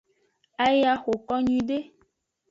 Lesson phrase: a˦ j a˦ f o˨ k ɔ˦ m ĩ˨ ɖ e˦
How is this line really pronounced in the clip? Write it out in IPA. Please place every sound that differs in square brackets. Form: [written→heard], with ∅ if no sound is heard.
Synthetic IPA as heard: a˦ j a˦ [f→x] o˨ k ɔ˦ [m→ɲ] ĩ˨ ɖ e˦